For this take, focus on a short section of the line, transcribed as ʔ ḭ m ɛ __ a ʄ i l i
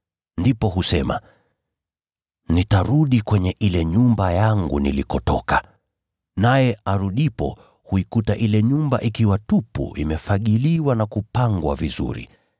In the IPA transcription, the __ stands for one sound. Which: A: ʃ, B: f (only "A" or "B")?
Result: B